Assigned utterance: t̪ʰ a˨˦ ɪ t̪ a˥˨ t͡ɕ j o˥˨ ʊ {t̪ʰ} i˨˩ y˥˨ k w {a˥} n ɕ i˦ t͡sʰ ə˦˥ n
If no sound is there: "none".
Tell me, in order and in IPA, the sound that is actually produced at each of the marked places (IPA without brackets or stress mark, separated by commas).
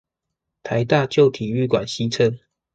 t̪ʰ, a˨˩